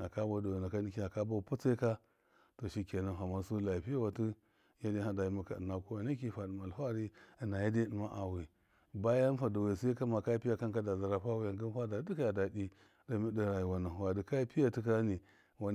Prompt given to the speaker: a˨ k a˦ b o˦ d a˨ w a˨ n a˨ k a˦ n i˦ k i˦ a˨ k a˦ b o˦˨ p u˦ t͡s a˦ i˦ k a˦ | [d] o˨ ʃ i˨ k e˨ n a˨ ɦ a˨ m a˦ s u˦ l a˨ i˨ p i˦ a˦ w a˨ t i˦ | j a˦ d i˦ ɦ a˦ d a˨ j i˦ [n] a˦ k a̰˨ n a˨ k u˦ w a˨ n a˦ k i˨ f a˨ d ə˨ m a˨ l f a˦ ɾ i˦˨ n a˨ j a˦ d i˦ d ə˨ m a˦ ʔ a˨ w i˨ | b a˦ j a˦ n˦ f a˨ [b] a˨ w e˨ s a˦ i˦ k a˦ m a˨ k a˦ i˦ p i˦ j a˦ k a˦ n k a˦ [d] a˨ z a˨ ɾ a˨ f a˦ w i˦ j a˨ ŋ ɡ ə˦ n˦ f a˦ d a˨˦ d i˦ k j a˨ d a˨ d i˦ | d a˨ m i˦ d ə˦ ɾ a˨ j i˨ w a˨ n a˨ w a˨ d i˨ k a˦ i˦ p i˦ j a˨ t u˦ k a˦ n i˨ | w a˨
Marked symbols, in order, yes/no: no, no, no, yes

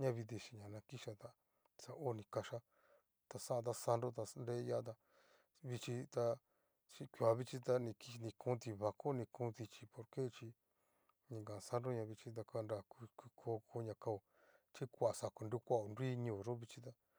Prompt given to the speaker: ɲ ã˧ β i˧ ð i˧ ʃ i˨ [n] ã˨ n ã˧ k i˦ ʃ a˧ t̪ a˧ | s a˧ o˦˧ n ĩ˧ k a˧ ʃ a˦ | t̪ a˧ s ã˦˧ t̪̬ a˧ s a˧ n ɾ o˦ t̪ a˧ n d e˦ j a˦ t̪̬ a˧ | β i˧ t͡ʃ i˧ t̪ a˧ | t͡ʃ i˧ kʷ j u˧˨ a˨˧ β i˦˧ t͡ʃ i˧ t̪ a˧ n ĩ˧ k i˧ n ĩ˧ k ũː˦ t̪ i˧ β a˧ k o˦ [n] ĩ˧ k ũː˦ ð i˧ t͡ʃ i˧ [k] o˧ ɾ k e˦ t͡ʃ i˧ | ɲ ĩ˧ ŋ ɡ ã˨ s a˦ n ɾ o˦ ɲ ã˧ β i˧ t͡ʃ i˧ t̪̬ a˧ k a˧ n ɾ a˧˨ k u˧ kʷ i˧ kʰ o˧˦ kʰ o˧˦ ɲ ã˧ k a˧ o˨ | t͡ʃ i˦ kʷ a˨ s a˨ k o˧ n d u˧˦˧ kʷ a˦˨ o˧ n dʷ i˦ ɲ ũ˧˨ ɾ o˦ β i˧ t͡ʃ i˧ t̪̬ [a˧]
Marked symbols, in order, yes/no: no, yes, no, yes

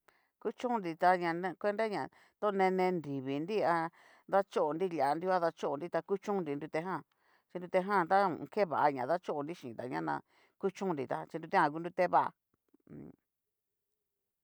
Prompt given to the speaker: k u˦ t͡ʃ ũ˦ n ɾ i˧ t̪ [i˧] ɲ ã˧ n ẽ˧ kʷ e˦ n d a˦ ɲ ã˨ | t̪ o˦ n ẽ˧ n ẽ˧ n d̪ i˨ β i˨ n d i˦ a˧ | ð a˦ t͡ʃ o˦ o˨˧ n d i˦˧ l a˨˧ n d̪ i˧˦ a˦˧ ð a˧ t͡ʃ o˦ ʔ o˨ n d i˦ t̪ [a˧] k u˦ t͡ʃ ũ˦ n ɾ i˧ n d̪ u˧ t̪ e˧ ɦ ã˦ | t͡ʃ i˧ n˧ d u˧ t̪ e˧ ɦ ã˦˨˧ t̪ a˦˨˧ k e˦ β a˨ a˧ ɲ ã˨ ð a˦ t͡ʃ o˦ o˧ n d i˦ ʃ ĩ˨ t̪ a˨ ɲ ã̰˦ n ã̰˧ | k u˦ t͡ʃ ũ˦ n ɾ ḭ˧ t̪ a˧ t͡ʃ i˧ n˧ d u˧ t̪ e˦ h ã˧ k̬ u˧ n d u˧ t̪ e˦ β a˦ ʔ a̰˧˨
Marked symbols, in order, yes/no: no, yes

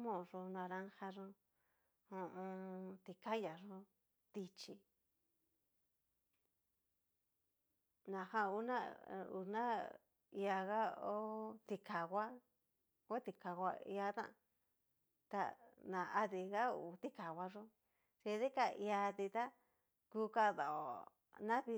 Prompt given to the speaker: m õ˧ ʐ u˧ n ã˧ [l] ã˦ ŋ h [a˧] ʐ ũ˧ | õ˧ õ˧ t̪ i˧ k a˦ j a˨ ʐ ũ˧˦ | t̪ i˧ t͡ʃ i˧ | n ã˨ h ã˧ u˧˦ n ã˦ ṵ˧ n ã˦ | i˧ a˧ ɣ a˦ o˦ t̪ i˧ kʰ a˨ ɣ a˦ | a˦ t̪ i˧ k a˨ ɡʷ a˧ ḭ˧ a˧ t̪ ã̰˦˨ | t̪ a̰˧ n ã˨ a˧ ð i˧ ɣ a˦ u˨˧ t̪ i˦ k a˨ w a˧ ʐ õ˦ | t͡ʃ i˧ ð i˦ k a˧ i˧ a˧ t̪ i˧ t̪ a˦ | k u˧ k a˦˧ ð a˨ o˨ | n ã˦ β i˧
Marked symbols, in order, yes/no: no, yes

